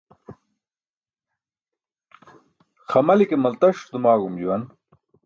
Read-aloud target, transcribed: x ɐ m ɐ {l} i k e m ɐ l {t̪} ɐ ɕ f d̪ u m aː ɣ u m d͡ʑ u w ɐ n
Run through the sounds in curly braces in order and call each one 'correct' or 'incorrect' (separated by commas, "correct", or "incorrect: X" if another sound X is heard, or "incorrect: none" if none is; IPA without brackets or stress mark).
correct, correct